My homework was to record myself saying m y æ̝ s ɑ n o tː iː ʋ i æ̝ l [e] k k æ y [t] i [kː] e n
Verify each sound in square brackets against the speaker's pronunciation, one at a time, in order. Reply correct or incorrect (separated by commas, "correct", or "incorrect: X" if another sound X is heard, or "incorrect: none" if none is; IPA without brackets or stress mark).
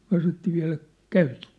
incorrect: æ, correct, incorrect: tː